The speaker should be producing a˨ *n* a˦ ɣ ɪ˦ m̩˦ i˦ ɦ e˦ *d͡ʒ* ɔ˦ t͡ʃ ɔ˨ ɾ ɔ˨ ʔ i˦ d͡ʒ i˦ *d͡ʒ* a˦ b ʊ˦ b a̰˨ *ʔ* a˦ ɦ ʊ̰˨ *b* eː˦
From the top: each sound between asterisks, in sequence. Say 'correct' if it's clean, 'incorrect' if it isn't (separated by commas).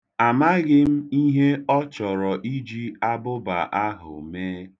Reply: incorrect, incorrect, incorrect, correct, incorrect